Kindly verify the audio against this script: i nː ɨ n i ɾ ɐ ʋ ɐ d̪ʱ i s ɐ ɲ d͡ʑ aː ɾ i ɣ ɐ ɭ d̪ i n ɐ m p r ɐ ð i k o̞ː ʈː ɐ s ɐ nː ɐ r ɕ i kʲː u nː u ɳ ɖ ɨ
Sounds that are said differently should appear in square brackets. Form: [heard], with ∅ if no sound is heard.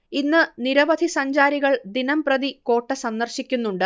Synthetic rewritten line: i nː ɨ n i ɾ ɐ ʋ ɐ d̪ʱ i s ɐ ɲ d͡ʑ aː ɾ i ɣ ɐ ɭ d̪ i n ɐ m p r ɐ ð i k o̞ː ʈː ɐ s ɐ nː ɐ r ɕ i kʲː u nː u ɳ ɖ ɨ